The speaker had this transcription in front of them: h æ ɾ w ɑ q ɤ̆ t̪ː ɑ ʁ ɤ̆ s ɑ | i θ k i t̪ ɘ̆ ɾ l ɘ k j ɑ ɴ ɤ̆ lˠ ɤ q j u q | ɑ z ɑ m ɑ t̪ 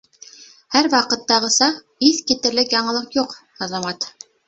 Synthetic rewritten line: h æ ɾ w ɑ q ɤ̆ t̪ː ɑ ʁ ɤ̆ s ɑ | i θ k i t̪ ɘ̆ ɾ l ɘ k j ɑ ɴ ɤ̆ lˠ ɤ q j u q | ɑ z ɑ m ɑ t̪